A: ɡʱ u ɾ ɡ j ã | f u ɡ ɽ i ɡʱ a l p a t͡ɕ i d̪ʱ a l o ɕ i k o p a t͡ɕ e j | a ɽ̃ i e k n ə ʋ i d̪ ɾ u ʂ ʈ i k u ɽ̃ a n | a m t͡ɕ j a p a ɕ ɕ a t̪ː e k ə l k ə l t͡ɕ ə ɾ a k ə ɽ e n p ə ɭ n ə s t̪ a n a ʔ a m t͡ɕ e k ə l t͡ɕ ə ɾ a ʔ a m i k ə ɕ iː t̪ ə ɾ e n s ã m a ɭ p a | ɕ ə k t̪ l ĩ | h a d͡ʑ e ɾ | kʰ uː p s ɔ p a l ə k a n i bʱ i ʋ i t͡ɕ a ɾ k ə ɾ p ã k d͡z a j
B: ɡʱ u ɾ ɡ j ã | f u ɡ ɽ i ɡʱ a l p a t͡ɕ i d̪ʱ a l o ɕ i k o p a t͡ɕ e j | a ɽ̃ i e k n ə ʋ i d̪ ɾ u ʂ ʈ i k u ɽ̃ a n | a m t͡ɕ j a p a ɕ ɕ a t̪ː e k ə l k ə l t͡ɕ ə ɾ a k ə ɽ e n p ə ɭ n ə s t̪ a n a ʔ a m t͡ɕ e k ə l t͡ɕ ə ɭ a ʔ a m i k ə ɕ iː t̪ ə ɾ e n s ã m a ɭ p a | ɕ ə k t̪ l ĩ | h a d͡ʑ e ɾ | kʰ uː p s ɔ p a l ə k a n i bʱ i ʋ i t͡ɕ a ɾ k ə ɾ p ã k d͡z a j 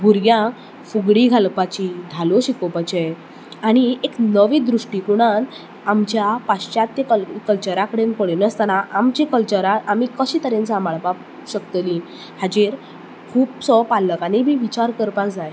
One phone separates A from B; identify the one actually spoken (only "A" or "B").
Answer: A